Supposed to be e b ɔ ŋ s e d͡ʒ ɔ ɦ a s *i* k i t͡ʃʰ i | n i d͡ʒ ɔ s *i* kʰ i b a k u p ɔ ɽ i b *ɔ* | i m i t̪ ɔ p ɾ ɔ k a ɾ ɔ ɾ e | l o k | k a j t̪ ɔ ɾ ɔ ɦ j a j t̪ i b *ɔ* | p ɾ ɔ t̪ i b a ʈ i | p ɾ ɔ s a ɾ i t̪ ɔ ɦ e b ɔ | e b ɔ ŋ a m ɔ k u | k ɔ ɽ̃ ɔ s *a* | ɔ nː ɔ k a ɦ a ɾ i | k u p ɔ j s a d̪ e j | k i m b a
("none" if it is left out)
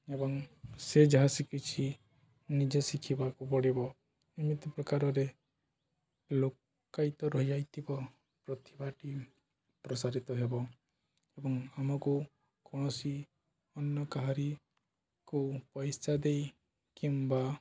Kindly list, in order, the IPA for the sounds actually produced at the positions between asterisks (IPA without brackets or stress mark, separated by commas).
i, i, ɔ, ɔ, i